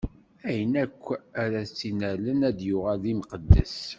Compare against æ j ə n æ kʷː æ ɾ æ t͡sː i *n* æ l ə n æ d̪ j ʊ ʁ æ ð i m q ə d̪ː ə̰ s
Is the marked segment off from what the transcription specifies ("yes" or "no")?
no